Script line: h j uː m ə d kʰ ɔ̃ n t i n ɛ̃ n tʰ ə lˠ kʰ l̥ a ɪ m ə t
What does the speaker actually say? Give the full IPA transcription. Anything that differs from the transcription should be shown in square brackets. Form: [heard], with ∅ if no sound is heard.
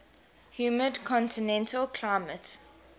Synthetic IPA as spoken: h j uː m ə d kʰ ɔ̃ n t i n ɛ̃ n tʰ ə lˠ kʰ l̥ a ɪ m ə t